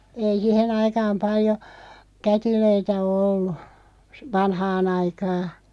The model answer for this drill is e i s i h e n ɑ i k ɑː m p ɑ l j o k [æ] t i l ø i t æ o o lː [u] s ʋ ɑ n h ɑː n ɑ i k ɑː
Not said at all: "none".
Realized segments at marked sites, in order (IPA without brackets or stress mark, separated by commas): æ, u